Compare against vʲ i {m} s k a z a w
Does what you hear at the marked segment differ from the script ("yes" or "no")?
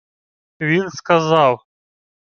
yes